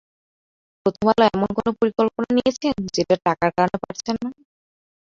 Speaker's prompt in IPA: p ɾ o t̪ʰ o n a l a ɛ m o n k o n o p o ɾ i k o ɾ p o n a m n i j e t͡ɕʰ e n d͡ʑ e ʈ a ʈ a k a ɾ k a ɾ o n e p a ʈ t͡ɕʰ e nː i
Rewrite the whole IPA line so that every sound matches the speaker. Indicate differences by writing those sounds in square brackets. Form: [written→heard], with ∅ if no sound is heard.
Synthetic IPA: p ɾ o t̪ʰ o [n→m] a l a ɛ m o n k o n o p o ɾ i k o [ɾ→l] p o n a [m→∅] n i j e t͡ɕʰ e n d͡ʑ e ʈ a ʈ a k a ɾ k a ɾ o n e p a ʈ t͡ɕʰ e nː [i→a]